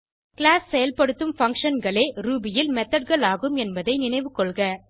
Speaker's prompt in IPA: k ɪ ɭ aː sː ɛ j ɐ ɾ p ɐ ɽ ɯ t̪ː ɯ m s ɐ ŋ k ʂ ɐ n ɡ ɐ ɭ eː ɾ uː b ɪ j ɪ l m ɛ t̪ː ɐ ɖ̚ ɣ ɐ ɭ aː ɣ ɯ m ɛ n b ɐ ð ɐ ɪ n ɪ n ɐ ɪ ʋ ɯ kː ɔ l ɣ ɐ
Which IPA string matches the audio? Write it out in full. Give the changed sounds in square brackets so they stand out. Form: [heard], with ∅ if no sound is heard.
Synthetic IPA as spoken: k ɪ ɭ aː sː ɛ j ɐ [l] p ɐ ɽ ɯ t̪ː ɯ m [f] ɐ ŋ k ʂ ɐ n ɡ ɐ ɭ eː ɾ uː b ɪ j ɪ l m ɛ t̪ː ɐ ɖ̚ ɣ ɐ ɭ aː ɣ ɯ m ɛ n b ɐ ð ɐ ɪ n ɪ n ɐ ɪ ʋ ɯ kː ɔ [ɭ] ɣ ɐ